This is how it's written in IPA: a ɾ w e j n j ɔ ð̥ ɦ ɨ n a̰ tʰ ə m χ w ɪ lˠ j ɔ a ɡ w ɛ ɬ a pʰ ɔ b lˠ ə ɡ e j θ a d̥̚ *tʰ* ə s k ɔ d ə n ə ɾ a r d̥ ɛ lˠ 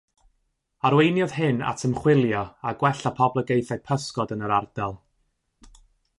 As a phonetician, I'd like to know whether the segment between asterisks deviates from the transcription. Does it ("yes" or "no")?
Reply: yes